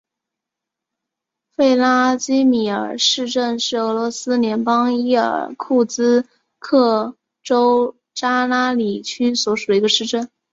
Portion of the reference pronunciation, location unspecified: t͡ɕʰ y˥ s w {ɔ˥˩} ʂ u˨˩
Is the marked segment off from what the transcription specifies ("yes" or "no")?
yes